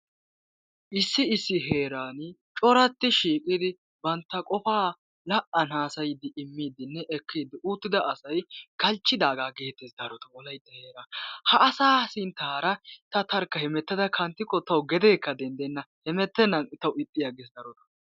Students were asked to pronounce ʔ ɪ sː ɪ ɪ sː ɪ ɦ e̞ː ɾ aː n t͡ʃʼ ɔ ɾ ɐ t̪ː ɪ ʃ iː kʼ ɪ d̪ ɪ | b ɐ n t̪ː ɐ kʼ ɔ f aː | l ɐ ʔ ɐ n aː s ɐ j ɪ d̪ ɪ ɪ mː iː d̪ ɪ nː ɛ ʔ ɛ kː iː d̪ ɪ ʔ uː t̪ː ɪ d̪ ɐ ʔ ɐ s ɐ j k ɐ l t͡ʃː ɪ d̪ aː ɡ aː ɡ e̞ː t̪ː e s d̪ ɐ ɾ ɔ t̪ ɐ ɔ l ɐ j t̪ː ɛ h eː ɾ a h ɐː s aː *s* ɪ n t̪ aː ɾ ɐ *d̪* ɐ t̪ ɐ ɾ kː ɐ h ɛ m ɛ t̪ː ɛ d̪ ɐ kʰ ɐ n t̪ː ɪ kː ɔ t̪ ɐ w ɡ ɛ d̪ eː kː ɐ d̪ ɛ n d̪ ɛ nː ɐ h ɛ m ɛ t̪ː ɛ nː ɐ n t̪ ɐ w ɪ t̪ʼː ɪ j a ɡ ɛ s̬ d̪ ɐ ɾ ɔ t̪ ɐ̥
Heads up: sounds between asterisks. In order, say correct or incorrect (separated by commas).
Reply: correct, incorrect